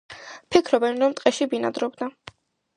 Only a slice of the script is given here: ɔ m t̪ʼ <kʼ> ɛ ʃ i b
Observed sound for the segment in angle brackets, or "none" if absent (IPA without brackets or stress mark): qʼ